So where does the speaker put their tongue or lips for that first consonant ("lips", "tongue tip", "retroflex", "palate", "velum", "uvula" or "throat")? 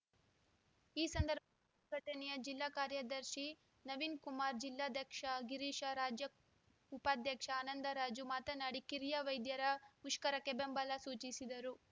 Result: tongue tip